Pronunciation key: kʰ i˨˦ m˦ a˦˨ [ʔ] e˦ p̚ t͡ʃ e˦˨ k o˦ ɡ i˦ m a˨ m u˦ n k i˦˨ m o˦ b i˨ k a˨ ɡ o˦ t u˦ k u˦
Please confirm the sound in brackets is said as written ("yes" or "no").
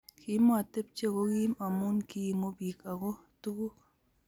no